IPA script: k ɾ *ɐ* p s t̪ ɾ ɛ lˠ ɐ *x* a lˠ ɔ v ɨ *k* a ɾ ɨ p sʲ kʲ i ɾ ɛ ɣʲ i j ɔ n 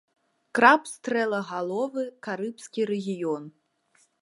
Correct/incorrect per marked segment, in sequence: incorrect, incorrect, correct

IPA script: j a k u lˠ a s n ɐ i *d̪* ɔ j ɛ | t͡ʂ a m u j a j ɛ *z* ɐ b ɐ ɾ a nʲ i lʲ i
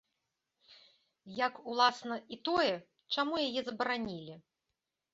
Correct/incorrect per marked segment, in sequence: incorrect, correct

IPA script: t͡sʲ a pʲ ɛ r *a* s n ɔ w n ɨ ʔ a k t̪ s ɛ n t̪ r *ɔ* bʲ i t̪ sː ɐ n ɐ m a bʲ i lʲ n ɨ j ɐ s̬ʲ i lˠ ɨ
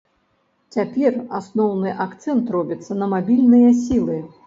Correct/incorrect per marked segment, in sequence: correct, correct

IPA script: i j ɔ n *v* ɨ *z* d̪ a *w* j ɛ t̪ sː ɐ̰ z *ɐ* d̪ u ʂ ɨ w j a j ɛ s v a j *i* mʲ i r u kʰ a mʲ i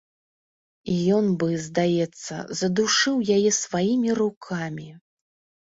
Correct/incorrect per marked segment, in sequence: incorrect, correct, incorrect, correct, correct

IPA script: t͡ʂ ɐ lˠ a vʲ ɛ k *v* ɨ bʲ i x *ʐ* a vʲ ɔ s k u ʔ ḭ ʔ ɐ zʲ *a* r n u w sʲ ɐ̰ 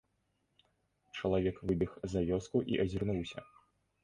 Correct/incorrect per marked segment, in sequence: correct, incorrect, incorrect

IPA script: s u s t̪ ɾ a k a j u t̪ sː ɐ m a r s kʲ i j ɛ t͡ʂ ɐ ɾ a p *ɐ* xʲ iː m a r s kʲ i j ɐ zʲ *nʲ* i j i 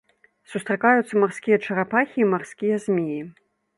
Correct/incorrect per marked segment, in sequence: incorrect, incorrect

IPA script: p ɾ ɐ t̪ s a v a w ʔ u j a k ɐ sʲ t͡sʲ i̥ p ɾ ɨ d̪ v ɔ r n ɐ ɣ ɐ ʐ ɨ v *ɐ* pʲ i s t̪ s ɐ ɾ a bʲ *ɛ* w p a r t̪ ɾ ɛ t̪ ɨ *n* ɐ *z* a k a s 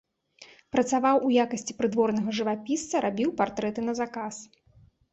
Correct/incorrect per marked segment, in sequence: incorrect, incorrect, correct, correct

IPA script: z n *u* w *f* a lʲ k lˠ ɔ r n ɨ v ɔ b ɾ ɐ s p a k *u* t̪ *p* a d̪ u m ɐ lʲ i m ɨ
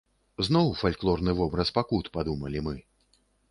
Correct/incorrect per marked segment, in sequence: incorrect, correct, correct, correct

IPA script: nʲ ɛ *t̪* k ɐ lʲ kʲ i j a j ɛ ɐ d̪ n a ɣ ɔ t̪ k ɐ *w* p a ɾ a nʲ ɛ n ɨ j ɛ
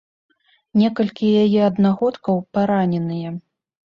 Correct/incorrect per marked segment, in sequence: incorrect, correct

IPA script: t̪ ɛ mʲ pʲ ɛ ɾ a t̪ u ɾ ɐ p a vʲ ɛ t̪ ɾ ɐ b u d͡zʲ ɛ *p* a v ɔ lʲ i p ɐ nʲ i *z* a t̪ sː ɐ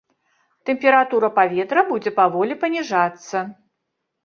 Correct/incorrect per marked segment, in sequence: correct, incorrect

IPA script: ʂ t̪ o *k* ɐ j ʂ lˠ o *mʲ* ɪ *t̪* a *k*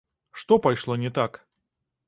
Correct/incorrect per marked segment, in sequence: incorrect, incorrect, correct, correct

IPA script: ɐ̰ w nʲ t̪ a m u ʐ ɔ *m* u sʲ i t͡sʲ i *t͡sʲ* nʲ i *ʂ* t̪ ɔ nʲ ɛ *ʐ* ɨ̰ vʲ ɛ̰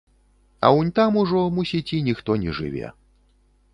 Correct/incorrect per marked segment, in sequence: correct, incorrect, incorrect, correct

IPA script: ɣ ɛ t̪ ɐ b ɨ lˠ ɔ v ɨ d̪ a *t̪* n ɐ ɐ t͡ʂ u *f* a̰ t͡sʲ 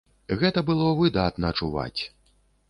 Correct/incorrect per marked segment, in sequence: correct, incorrect

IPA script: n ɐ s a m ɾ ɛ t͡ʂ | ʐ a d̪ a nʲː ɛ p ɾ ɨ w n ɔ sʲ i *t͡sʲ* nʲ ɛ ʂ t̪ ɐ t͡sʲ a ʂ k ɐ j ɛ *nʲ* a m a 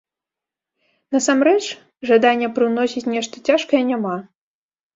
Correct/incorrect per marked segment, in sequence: correct, correct

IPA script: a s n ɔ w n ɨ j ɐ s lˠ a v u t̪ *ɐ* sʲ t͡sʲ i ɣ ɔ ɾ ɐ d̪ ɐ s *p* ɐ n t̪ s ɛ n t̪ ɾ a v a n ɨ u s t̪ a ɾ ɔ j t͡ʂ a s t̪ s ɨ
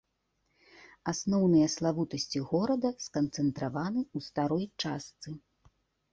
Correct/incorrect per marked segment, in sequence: correct, incorrect

